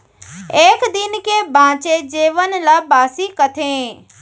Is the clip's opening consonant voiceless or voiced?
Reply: voiceless